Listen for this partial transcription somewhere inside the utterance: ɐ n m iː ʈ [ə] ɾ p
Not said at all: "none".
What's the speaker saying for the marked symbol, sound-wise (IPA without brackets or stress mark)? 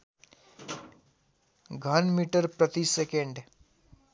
ə